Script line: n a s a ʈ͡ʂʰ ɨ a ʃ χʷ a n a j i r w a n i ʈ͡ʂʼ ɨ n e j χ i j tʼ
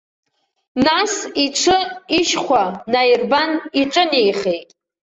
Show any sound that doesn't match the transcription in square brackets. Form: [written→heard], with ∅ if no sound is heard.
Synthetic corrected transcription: n a s [a→i] ʈ͡ʂʰ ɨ [a→i] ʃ χʷ a n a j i r [w→b] a n i ʈ͡ʂʼ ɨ n e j χ [i→e] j tʼ